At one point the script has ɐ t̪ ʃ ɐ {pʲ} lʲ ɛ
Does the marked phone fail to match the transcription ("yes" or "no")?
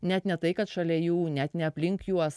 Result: yes